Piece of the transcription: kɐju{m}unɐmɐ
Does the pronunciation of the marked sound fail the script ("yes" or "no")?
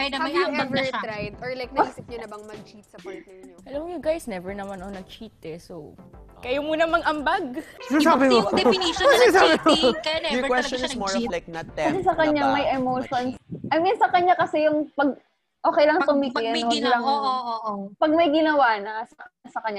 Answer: no